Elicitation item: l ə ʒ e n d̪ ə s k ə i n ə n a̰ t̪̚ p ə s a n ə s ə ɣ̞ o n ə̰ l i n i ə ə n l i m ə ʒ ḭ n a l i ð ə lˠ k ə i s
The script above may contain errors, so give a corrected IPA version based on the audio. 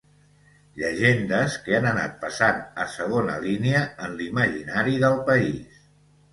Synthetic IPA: ʎ ə ʒ e n d̪ ə s k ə a n ə n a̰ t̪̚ p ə s a n ə s ə ɣ̞ o n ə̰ l i n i ə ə n l i m ə ʒ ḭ n a ɾ i ð ə lˠ p ə i s